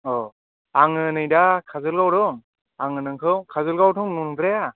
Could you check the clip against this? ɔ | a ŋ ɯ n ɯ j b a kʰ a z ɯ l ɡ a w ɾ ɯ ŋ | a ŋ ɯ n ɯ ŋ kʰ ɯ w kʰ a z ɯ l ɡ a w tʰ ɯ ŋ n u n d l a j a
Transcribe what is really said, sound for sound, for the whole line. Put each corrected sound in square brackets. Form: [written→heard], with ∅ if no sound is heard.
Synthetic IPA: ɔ | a ŋ ɯ n ɯ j [b→d] a kʰ a z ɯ l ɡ a w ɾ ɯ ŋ | a ŋ ɯ n ɯ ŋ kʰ ɯ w kʰ a z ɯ l ɡ a w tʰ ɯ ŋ n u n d [l→ɾ] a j a